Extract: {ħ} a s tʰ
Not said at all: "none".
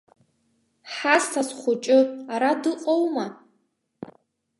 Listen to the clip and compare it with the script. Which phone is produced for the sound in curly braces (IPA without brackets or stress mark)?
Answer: ħ